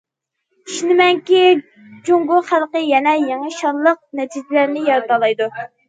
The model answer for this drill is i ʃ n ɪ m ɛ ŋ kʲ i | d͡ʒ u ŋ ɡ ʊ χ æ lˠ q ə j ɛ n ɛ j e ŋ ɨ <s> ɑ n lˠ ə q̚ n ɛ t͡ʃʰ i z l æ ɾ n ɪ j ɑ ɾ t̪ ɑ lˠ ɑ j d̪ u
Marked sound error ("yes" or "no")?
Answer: yes